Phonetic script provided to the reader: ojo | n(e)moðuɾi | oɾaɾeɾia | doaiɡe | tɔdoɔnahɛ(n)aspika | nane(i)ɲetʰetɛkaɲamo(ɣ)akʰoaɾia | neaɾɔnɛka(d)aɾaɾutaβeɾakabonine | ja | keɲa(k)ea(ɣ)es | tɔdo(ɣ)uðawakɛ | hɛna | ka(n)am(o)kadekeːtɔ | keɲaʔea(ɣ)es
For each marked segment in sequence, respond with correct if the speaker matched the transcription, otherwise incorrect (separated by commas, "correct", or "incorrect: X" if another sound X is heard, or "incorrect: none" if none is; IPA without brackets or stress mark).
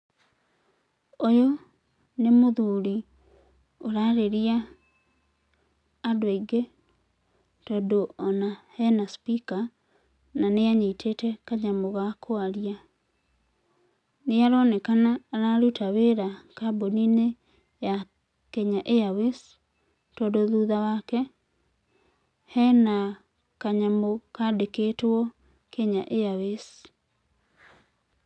correct, correct, incorrect: a, correct, incorrect: n, incorrect: ʔ, incorrect: w, incorrect: ð, incorrect: ɲ, correct, incorrect: w